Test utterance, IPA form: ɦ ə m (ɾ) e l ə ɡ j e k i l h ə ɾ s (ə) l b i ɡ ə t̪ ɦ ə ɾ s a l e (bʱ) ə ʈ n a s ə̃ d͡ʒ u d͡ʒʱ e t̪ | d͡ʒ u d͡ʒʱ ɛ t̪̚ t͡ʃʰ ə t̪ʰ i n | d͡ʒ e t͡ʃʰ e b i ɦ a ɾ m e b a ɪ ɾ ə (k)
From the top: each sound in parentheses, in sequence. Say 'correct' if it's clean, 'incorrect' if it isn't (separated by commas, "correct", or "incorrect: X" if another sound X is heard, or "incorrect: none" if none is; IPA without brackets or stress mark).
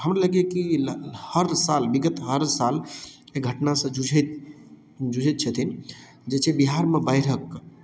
correct, incorrect: a, incorrect: ɡʱ, correct